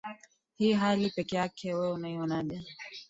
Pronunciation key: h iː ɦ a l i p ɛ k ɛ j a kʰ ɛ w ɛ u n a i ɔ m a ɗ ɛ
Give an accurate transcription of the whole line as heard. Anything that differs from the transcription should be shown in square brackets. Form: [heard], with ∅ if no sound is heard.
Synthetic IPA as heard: h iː ɦ a l i p ɛ k ɛ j a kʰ ɛ w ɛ u n a i ɔ [n] a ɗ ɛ